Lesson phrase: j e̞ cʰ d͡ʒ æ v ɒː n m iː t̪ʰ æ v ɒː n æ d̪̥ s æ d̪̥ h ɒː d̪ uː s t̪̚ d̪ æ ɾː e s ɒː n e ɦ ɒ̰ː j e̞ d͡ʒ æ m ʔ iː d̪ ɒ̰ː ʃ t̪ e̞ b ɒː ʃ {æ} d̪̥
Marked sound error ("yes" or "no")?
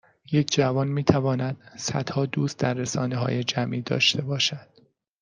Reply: no